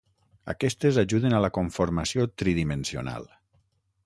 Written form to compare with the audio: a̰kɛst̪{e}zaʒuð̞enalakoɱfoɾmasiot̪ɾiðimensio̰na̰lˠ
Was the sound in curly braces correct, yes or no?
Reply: yes